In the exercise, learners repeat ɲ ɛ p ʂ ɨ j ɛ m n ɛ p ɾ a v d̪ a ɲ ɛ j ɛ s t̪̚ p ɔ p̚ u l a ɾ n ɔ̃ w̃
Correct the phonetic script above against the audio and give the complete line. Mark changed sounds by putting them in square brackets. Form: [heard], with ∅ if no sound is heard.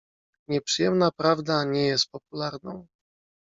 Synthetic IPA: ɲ ɛ p ʂ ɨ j ɛ m n [a] p ɾ a v d̪ a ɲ ɛ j ɛ s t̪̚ p ɔ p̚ u l a ɾ n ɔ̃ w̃